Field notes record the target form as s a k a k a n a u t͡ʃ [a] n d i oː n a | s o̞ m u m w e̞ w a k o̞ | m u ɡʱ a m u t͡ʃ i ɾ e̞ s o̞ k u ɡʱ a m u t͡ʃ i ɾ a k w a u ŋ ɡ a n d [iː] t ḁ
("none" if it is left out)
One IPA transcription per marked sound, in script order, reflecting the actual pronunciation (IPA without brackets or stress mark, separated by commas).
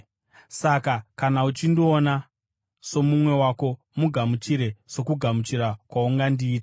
i, iː